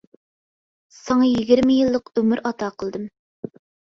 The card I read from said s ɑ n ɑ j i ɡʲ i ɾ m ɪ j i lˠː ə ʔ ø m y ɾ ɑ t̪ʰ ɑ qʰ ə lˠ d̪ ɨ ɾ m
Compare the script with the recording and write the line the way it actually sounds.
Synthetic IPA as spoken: s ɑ ŋ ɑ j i ɡʲ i ɾ m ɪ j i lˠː ə q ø m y ɾ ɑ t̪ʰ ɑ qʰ ə lˠ d̪ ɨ m